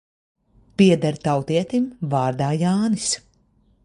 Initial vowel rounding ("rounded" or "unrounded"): unrounded